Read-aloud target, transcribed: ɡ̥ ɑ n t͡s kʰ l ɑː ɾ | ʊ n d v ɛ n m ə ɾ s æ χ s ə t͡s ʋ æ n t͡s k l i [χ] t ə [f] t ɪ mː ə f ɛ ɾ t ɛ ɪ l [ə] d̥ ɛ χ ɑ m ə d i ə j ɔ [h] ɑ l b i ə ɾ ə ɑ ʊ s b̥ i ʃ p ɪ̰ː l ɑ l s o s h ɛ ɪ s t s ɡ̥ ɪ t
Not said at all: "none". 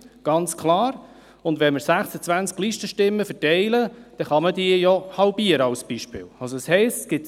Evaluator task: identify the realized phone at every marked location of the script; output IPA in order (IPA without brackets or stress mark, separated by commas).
ʃ, ʃ, ə, h